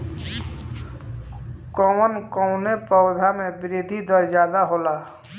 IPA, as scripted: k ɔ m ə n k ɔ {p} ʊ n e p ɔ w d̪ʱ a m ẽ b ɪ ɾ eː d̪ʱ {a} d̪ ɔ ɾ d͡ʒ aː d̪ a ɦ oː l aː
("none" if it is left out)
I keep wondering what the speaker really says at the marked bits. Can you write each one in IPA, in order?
none, i

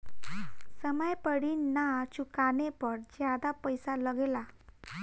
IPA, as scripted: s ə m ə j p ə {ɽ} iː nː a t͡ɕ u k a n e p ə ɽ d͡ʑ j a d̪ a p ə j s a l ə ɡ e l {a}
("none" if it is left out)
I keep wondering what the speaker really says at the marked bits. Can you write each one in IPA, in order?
ɽ, a

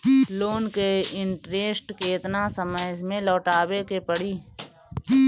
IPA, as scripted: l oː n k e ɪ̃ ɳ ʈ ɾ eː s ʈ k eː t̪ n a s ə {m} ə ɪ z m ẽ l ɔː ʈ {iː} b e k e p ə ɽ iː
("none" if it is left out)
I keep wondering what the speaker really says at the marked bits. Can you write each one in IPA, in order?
m, aː

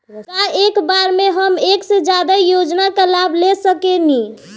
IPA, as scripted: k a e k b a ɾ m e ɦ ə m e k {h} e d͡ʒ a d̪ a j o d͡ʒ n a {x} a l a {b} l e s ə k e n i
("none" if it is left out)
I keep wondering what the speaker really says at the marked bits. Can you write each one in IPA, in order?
s, k, b

